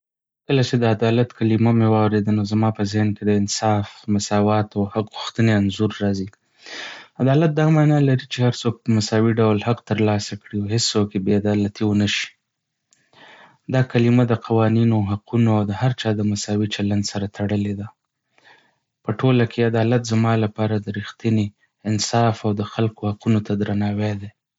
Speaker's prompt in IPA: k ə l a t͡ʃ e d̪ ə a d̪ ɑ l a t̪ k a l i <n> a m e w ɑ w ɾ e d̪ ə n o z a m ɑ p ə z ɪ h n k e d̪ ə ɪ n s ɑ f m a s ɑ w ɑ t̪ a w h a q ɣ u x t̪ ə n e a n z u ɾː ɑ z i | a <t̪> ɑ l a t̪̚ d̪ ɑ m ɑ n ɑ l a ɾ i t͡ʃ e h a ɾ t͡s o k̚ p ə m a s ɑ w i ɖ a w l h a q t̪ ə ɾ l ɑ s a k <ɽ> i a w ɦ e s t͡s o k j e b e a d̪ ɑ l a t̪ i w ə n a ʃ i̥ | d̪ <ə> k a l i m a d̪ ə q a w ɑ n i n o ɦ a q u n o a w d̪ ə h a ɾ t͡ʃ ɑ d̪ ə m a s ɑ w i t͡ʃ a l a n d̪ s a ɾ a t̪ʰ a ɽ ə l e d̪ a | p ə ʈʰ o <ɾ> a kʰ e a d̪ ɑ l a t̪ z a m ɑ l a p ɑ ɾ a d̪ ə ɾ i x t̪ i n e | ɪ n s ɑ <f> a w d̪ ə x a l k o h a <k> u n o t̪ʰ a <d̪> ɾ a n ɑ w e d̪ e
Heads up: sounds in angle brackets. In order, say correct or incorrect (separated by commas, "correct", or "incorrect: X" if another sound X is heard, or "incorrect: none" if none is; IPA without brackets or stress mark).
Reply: incorrect: m, incorrect: d̪, correct, incorrect: ɑ, incorrect: l, correct, incorrect: q, correct